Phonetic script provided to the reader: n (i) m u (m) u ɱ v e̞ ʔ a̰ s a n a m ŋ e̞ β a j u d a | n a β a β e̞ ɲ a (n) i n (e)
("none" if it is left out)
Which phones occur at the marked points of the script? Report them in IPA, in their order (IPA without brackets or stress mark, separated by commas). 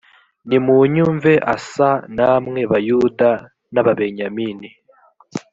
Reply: i, ɲ, m, i